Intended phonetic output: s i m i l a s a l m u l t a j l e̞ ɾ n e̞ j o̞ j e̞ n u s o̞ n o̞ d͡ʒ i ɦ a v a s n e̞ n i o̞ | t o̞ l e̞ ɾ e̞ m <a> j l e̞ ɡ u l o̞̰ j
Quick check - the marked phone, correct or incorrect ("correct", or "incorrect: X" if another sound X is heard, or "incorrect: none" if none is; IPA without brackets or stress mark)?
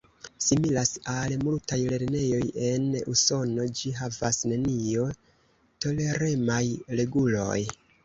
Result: correct